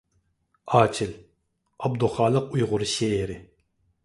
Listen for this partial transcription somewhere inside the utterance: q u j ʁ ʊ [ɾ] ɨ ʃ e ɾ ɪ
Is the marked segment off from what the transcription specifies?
no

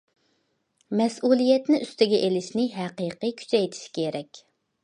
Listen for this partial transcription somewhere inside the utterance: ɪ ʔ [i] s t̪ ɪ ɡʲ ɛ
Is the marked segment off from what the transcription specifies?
yes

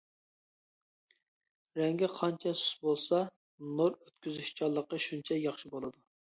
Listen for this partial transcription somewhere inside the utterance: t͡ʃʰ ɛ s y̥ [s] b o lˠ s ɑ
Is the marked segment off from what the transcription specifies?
no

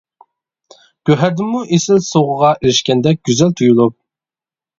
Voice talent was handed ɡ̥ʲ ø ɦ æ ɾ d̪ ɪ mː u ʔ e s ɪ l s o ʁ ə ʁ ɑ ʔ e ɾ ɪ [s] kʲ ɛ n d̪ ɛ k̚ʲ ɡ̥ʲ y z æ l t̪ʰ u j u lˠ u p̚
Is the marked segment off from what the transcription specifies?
yes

